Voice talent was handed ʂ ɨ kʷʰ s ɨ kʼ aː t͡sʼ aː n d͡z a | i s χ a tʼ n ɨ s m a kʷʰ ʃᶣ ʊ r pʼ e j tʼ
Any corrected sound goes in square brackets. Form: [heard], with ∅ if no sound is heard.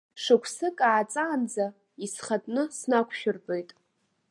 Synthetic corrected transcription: ʂ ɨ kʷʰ s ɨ kʼ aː t͡sʼ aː n d͡z a | i s χ a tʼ n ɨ s [n] a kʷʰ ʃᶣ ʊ r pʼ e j tʼ